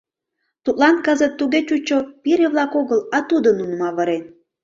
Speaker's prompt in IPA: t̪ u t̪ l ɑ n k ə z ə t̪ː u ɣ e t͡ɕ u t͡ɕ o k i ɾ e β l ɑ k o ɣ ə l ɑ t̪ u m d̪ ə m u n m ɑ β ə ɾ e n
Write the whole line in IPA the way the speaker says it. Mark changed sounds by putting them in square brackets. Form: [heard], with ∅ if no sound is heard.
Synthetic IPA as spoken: t̪ u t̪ l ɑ n k ə z ə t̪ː u ɣ e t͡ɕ u t͡ɕ o [p] i ɾ e β l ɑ k o ɣ ə l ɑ t̪ u [∅] d̪ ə [n] u n m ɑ β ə ɾ e n